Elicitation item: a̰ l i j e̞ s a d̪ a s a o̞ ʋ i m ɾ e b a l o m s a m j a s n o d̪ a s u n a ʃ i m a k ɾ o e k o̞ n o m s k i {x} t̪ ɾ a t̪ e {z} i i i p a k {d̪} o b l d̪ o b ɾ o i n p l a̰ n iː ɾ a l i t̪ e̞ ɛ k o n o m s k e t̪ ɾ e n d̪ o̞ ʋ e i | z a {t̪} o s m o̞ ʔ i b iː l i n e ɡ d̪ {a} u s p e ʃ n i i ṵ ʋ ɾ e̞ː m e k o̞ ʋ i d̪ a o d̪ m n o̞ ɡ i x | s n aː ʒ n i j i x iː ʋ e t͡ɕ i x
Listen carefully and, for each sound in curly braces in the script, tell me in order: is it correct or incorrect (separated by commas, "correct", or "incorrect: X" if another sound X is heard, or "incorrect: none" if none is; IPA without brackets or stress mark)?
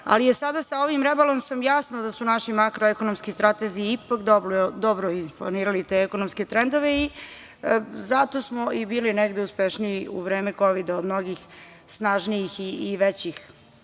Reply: incorrect: s, correct, correct, correct, incorrect: e